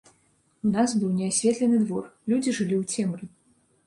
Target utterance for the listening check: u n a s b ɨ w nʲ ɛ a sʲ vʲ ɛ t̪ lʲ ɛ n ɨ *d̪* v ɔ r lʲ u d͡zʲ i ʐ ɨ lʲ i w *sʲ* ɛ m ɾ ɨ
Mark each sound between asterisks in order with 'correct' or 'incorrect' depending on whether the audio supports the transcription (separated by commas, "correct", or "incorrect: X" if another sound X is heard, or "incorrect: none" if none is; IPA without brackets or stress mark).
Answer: correct, incorrect: t͡sʲ